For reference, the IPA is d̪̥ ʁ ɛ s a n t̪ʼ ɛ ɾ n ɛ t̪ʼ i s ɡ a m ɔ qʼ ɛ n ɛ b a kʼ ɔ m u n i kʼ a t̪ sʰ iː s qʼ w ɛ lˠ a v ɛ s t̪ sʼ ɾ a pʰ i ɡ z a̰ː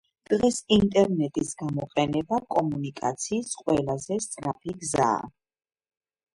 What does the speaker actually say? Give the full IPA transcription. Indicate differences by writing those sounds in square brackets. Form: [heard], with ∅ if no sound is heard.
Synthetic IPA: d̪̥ ʁ ɛ s [i] n t̪ʼ ɛ ɾ n ɛ t̪ʼ i s ɡ a m ɔ qʼ ɛ n ɛ b a kʼ ɔ m u n i kʼ a t̪ sʰ iː s qʼ w ɛ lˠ a [z] ɛ s t̪ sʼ ɾ a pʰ i ɡ z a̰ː